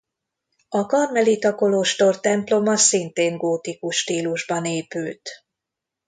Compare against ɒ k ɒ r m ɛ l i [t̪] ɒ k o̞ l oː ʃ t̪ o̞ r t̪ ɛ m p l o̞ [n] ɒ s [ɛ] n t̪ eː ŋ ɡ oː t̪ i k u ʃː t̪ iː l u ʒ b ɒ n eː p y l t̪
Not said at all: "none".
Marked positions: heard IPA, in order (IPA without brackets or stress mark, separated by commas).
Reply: t̪, m, i